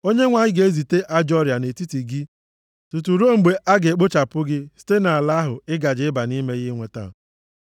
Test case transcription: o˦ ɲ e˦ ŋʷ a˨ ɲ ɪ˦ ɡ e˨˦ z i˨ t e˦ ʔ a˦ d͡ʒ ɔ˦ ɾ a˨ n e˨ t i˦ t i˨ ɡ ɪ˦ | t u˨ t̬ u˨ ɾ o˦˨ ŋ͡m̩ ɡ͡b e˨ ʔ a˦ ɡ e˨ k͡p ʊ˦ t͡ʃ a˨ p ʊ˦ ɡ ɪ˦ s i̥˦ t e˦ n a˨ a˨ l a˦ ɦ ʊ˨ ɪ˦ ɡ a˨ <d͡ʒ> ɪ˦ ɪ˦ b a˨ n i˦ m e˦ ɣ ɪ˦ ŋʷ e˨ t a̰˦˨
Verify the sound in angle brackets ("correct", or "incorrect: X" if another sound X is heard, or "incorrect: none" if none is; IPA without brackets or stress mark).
correct